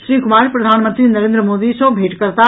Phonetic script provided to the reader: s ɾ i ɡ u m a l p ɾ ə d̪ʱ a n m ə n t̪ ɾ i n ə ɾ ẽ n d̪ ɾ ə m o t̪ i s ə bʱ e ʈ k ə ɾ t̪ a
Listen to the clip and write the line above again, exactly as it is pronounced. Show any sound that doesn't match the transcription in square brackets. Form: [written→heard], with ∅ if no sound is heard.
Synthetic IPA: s ɾ i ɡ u m a [l→ɾ] p ɾ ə d̪ʱ a n m ə n t̪ ɾ i n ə ɾ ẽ n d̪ ɾ ə m o [t̪→d̪] i s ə bʱ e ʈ k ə ɾ t̪ a